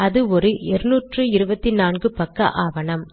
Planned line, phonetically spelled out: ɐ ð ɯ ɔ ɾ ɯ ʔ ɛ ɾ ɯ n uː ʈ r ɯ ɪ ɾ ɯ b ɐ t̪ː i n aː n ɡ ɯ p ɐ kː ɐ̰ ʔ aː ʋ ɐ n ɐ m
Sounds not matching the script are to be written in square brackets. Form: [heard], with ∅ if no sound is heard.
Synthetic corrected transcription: ɐ ð ɯ ɔ ɾ ɯ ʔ ɛ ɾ ɯ n uː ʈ r ɯ ɪ ɾ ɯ b ɐ t̪ː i n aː n ɡ ɯ p ɐ kː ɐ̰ ʔ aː ʋ ɐ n ɐ m